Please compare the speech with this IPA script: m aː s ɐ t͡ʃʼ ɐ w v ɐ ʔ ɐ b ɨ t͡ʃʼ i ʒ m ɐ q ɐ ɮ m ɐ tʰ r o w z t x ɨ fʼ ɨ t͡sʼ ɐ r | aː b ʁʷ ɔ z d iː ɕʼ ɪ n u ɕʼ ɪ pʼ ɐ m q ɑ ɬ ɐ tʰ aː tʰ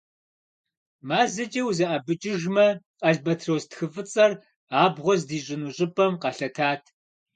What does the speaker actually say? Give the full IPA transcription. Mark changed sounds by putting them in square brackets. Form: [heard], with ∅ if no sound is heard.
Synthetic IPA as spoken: m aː [z] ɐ t͡ʃʼ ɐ w [z] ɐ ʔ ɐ b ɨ t͡ʃʼ [ɪ] ʒ m ɐ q ɐ ɮ [b] ɐ tʰ r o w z t x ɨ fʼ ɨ t͡sʼ ɐ r | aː b ʁʷ ɔ z d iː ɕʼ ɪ n u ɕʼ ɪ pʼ ɐ m q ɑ ɬ ɐ tʰ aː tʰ